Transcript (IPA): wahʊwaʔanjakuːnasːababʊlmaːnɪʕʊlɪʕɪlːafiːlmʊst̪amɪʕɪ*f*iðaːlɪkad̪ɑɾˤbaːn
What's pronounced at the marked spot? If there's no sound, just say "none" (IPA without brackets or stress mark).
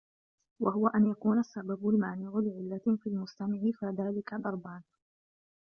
f